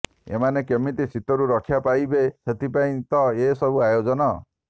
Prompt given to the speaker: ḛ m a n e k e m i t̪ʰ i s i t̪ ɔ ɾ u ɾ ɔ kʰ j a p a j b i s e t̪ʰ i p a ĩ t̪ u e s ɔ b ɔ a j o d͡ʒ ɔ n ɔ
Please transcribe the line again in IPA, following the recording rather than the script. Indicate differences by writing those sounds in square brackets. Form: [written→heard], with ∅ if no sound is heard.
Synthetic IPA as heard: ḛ m a n e k e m i [t̪ʰ→t̪] i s i t̪ ɔ ɾ u ɾ ɔ kʰ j a p a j b [i→e] s e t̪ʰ i p a ĩ t̪ [u→ɔ] e s ɔ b [ɔ→u] a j o d͡ʒ ɔ n ɔ